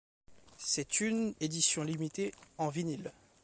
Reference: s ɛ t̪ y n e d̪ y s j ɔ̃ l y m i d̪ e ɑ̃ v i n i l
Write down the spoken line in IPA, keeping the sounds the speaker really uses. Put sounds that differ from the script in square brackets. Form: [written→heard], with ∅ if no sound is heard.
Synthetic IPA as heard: s ɛ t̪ y n e d̪ [y→i] s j ɔ̃ l [y→i] m i [d̪→t̪] e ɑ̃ v i n i l